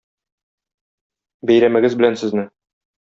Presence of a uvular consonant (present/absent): absent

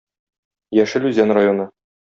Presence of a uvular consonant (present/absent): absent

